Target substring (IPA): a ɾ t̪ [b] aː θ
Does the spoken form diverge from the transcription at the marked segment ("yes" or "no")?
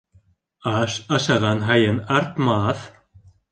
yes